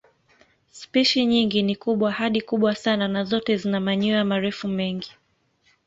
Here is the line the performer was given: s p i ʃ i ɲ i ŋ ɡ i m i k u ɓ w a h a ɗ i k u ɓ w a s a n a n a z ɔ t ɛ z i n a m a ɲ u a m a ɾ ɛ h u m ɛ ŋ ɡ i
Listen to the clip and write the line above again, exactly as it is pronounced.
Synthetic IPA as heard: s p i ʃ i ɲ i ŋ ɡ i n i k u ɓ w a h a ɗ i k u ɓ w a s a n a n a z ɔ t ɛ z i n a m a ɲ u a m a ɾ ɛ f u m ɛ ŋ ɡ i